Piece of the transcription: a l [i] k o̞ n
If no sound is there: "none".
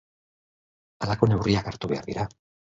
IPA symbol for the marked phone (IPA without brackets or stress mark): a